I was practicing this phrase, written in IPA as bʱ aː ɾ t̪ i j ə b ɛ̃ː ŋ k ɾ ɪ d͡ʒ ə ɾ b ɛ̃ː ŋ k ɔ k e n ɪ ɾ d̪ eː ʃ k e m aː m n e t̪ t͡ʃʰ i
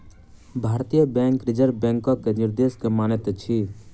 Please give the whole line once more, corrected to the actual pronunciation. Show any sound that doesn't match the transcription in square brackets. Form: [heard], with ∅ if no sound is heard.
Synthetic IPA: bʱ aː ɾ t̪ i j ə b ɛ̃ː ŋ k ɾ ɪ d͡ʒ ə ɾ b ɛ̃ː ŋ k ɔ k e n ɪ ɾ d̪ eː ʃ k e m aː [∅] n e t̪ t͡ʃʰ i